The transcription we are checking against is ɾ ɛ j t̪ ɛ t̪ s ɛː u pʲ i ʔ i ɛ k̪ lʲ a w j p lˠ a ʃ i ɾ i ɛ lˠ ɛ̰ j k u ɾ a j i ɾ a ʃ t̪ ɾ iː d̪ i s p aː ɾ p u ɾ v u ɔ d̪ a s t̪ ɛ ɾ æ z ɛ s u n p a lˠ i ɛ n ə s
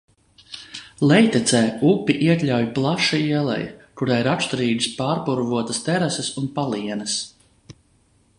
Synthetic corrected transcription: l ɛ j t̪ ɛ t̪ s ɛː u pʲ i ʔ i ɛ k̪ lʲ a w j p lˠ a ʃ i i ɛ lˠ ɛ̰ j k u ɾ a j i ɾ a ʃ t̪ ɾ iː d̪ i s p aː ɾ p u ɾ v u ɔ t̪ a s t̪ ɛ ɾ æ s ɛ s u n p a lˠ i ɛ n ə s